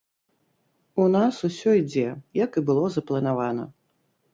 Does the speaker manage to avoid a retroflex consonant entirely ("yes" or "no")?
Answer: yes